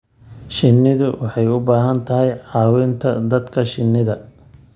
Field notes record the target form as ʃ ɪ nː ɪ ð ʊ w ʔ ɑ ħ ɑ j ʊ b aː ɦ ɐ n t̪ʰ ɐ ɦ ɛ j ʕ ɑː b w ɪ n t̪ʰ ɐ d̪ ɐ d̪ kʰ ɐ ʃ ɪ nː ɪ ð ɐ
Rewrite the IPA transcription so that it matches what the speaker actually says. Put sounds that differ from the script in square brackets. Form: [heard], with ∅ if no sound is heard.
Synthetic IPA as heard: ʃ ɪ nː ɪ ð ʊ w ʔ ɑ ħ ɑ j ʊ b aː ɦ ɐ n t̪ʰ ɐ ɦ ɛ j ʕ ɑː [∅] w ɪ n t̪ʰ ɐ d̪ ɐ d̪ kʰ ɐ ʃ ɪ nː ɪ ð ɐ